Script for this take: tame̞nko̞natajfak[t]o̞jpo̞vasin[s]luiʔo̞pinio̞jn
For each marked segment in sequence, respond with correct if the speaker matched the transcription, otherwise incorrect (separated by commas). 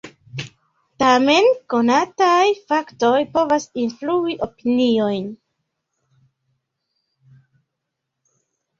correct, incorrect